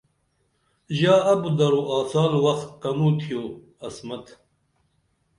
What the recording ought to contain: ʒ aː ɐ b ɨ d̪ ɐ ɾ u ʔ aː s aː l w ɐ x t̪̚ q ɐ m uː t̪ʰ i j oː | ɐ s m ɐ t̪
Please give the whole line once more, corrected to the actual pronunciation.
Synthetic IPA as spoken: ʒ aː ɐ b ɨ d̪ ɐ ɾ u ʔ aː s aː l w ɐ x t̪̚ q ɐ m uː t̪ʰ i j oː | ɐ s m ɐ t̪